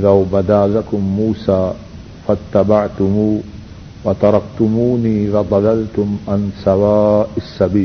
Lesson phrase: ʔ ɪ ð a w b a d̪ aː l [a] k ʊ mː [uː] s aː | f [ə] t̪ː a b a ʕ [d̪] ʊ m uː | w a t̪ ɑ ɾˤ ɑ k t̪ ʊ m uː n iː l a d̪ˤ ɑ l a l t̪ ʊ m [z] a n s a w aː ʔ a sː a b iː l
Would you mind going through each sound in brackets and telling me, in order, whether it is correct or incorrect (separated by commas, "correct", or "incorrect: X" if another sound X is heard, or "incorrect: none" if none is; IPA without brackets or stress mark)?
correct, correct, incorrect: a, incorrect: t̪, incorrect: ʕ